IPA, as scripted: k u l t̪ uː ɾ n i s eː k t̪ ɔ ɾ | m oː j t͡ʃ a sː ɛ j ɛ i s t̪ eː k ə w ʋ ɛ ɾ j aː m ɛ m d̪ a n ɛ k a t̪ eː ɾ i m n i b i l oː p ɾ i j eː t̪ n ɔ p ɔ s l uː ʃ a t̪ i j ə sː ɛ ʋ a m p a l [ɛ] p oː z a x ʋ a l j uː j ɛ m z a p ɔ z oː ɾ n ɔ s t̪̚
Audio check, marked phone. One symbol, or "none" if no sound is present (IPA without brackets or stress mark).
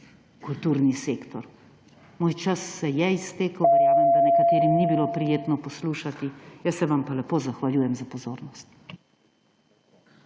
ɛ